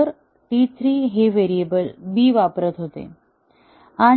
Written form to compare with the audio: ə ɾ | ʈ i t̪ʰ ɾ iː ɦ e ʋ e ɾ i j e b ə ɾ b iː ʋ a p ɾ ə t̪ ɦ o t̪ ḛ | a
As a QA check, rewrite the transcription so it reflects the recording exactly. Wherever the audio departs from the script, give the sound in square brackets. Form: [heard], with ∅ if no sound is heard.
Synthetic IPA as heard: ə ɾ | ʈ i t̪ʰ ɾ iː ɦ e ʋ e ɾ i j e b ə [l] b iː ʋ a p ɾ ə t̪ ɦ o t̪ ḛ | a